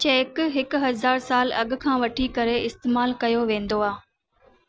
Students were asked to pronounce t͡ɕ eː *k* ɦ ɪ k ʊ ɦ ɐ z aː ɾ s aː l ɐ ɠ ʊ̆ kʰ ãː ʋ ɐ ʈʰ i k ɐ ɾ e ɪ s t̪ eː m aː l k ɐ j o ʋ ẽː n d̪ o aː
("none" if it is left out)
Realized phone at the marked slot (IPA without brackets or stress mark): k